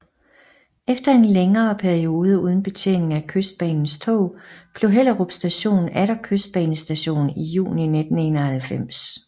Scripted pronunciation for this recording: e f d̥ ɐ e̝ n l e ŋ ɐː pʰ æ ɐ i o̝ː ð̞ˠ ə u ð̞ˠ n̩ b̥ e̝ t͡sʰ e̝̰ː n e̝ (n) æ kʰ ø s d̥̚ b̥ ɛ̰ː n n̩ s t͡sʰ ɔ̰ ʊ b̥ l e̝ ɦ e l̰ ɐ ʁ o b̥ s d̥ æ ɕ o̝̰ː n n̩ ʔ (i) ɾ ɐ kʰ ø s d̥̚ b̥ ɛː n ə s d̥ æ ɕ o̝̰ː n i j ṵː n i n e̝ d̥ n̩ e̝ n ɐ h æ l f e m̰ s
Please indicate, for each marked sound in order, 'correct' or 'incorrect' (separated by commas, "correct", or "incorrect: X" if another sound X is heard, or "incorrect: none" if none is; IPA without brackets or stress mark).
incorrect: ŋ, incorrect: æ